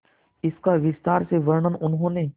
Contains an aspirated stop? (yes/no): no